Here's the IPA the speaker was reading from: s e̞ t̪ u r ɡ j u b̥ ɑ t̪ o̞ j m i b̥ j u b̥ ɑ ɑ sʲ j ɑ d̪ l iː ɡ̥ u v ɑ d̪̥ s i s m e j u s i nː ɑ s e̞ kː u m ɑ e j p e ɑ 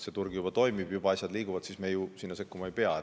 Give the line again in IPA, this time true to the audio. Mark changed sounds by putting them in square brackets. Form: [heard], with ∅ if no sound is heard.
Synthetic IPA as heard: s e̞ t̪ u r ɡ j u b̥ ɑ t̪ o̞ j m i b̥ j u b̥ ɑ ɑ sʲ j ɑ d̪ l iː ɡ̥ u v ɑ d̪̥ s i s m e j u s i nː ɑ s e̞ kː u m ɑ e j p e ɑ